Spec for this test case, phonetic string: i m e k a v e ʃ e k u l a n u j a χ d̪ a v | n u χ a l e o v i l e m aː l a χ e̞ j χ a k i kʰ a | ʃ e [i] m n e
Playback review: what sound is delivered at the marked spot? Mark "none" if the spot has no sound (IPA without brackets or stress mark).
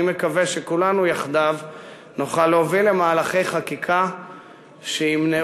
i